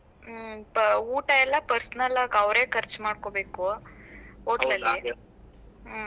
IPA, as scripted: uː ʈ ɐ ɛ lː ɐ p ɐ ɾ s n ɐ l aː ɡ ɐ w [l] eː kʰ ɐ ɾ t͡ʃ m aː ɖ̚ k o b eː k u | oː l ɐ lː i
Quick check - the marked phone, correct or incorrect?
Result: incorrect